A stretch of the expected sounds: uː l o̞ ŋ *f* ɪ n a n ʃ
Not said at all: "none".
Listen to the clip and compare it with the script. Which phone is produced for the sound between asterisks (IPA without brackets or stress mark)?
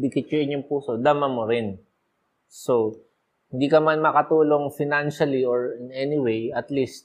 f